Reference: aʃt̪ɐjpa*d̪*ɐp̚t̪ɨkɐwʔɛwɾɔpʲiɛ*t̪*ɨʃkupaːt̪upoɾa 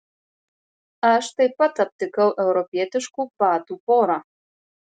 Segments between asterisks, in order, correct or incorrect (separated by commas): incorrect, correct